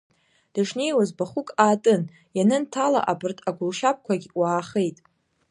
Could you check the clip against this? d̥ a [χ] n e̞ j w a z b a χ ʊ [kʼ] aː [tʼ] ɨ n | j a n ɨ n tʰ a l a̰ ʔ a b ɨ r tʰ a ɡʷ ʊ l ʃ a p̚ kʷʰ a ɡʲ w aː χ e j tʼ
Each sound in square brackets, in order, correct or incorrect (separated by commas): incorrect, correct, correct